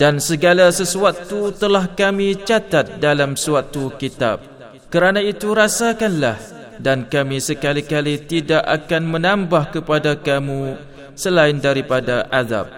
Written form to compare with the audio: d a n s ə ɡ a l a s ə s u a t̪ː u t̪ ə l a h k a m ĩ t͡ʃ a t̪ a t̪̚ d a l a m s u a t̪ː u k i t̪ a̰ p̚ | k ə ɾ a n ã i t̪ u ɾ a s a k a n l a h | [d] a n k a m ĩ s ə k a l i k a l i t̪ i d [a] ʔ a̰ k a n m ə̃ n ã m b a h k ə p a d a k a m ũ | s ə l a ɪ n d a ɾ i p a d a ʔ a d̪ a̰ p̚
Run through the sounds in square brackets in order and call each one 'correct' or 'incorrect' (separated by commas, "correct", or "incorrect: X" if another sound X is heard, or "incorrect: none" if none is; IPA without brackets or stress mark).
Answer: correct, correct